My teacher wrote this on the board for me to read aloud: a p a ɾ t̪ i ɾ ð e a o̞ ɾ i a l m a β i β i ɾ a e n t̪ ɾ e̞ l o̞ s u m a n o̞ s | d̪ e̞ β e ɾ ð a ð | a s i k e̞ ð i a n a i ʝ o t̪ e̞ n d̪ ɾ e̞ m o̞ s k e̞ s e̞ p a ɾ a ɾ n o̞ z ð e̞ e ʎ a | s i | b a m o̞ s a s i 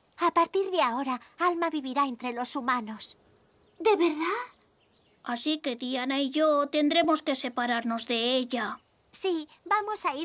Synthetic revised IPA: a p a ɾ t̪ i ɾ ð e a o̞ ɾ a a l m a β i β i ɾ a e n t̪ ɾ e̞ l o̞ s u m a n o̞ s | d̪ e̞ β e ɾ ð a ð | a s i k e̞ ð i a n a i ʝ o t̪ e̞ n d̪ ɾ e̞ m o̞ s k e̞ s e̞ p a ɾ a ɾ n o̞ z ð e̞ e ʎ a | s i | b a m o̞ s a i